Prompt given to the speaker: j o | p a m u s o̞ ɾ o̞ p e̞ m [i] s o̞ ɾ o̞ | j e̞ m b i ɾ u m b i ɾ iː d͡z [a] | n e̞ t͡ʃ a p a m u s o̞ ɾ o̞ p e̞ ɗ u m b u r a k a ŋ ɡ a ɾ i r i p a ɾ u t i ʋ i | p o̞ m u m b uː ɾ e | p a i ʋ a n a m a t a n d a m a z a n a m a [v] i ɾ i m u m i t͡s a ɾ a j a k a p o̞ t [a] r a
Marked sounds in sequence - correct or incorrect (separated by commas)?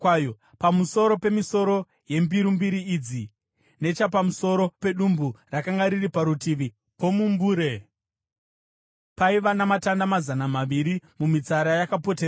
correct, incorrect, incorrect, incorrect